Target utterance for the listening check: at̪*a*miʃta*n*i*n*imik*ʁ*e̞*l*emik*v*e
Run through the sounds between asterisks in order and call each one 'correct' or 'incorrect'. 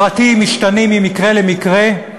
incorrect, correct, incorrect, correct, correct, incorrect

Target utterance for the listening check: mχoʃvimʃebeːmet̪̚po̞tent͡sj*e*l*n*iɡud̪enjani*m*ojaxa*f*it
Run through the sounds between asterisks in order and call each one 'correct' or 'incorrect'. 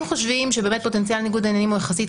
incorrect, correct, correct, incorrect

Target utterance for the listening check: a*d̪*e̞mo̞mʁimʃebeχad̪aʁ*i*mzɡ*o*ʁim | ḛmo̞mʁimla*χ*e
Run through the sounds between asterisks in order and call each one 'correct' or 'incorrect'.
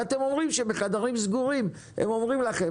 incorrect, correct, incorrect, correct

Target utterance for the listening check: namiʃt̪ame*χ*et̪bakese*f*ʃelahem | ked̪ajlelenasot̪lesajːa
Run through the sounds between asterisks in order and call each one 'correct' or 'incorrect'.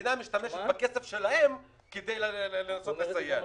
incorrect, correct

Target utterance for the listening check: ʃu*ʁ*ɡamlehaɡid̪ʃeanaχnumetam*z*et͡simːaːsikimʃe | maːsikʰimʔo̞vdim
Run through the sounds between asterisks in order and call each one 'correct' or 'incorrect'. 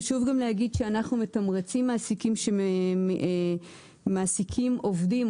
incorrect, incorrect

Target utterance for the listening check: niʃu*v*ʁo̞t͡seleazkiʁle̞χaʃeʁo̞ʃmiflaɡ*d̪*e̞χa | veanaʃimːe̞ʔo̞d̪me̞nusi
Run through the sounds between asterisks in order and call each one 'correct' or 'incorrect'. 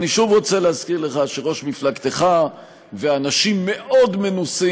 correct, incorrect

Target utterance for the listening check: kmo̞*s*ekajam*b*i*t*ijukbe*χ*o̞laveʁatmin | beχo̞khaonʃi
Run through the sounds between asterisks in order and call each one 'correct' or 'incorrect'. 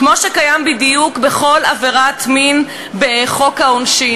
incorrect, correct, incorrect, correct

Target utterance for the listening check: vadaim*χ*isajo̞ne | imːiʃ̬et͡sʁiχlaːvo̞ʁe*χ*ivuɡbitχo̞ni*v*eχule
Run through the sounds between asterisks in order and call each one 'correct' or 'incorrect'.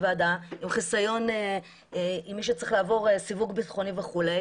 correct, incorrect, correct

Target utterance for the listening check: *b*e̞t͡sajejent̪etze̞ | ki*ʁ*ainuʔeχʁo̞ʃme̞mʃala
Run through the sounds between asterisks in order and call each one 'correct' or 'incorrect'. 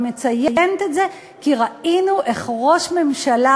incorrect, correct

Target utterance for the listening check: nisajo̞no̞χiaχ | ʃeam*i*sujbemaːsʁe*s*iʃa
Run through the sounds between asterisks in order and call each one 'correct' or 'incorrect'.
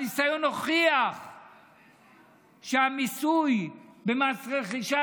correct, incorrect

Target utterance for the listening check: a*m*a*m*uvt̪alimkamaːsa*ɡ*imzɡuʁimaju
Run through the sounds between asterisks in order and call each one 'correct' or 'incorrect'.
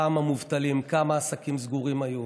correct, correct, incorrect

